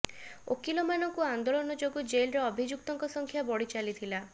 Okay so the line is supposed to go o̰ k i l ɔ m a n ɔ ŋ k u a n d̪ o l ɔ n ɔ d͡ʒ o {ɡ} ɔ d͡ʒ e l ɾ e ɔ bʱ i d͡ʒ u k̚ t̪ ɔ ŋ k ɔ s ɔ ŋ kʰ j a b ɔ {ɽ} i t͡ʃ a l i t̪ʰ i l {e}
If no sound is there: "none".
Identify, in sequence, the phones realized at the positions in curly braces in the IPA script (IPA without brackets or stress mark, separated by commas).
ɡ, ɽ, a